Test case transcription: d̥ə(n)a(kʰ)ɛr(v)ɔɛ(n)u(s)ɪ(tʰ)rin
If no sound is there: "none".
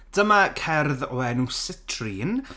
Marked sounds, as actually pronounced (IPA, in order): m, kʰ, ð, n, s, tʰ

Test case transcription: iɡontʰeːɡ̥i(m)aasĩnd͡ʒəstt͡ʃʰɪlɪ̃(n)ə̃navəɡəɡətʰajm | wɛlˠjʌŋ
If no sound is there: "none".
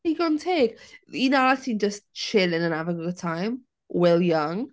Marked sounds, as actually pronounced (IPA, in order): n, n

